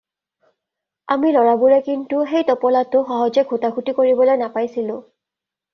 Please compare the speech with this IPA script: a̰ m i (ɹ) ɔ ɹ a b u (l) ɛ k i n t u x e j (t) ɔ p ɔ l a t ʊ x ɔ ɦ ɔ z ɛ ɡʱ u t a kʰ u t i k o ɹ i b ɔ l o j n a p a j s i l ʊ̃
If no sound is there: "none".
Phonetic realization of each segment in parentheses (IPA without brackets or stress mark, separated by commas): l, ɹ, t